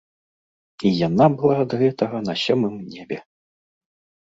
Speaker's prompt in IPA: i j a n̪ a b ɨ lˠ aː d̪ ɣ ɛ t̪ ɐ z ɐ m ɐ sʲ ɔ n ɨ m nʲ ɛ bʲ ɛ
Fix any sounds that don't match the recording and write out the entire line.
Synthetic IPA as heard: i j a n̪ a b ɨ lˠ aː d̪ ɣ ɛ t̪ ɐ ɣ ɐ n ɐ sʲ ɔ m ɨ m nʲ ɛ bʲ ɛ